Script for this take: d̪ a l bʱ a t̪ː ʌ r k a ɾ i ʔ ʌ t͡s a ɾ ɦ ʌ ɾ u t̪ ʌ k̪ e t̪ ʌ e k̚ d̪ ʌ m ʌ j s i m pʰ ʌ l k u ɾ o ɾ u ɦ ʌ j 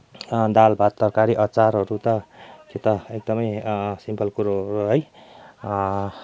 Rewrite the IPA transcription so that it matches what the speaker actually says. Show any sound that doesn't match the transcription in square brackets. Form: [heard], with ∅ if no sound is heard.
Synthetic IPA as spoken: d̪ a l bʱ a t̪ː ʌ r k a ɾ i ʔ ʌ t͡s a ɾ ɦ ʌ ɾ u t̪ ʌ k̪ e t̪ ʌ e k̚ d̪ ʌ m ʌ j s i m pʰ ʌ l k u ɾ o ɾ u ɦ ʌ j